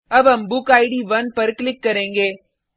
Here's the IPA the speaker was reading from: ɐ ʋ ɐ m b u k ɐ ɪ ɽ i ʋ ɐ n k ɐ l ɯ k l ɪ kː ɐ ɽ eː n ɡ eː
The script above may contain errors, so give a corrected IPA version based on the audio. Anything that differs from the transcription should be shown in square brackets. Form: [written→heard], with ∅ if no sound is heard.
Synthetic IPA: ɐ ʋ ɐ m b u k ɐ ɪ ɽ i ʋ ɐ n [k→p] ɐ [l→ɾ] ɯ k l ɪ kː ɐ [ɽ→ɾ] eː [n→ŋ] ɡ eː